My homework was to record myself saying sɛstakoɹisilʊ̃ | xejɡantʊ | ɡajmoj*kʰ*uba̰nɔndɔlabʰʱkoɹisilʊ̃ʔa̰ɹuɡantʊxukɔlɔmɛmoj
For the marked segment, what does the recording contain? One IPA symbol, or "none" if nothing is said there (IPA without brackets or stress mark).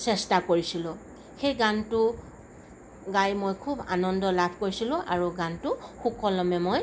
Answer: kʰ